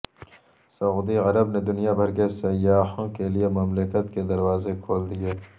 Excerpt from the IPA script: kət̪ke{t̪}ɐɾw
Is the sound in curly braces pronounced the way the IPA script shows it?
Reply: no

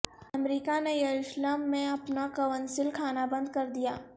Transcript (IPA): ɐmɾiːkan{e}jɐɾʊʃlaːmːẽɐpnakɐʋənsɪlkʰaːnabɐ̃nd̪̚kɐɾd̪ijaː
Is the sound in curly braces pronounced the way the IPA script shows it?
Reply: yes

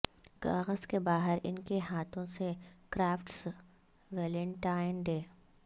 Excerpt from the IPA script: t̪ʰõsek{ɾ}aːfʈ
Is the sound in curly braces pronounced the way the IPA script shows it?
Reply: yes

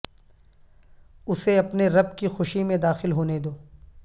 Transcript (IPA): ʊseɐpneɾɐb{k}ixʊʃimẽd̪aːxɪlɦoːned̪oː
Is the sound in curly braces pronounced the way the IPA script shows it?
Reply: yes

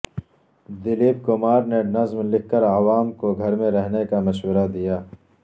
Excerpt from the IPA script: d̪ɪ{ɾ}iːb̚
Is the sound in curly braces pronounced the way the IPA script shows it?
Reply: no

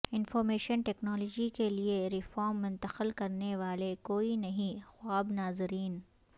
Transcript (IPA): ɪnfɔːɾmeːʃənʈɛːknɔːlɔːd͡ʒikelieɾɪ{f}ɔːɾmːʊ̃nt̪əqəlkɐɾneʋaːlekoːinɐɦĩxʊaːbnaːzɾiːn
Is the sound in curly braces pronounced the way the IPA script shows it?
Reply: yes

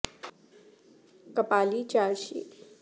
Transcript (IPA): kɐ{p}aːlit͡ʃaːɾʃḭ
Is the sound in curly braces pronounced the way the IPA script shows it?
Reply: yes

